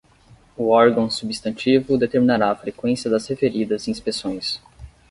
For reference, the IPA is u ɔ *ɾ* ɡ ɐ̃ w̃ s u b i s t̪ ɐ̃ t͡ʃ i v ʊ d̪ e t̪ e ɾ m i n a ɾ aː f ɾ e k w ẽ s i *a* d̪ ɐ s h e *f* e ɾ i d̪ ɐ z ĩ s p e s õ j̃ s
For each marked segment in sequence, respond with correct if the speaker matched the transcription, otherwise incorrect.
correct, incorrect: ɐ, correct

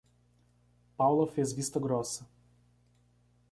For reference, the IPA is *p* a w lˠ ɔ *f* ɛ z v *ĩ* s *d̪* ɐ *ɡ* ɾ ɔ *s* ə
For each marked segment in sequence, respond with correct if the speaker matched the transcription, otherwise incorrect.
correct, correct, incorrect: i, incorrect: t̪, correct, correct

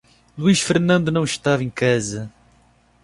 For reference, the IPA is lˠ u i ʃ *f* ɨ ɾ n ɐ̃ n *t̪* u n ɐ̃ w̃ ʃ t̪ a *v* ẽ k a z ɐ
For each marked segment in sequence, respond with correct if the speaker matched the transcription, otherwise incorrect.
correct, incorrect: d̪, correct

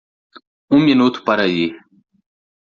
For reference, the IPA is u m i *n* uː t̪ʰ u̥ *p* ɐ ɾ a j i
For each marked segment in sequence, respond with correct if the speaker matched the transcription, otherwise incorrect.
correct, correct

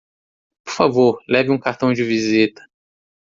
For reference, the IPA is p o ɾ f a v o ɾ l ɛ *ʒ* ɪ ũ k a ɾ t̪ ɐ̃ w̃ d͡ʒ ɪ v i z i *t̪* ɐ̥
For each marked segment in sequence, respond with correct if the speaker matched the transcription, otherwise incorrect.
incorrect: v, correct

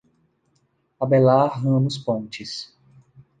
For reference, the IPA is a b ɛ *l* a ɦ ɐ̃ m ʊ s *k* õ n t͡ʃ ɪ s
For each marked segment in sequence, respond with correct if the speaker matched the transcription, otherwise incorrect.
correct, incorrect: p

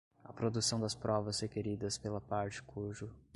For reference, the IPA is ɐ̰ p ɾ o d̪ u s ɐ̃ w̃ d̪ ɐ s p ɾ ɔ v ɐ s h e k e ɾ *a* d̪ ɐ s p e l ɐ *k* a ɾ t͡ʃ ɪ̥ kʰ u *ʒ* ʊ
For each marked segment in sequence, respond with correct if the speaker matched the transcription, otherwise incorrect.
incorrect: i, incorrect: p, correct

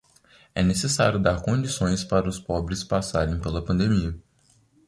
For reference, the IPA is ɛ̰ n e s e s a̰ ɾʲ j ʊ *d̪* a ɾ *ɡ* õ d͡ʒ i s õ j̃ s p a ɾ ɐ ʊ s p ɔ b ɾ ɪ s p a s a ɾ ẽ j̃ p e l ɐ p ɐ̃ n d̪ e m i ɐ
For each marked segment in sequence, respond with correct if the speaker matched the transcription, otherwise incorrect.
correct, incorrect: k

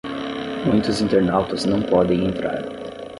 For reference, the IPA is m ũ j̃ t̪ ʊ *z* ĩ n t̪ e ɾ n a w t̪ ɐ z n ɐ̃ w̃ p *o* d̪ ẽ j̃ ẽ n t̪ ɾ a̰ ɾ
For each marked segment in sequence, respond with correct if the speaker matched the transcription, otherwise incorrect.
correct, incorrect: ɔ

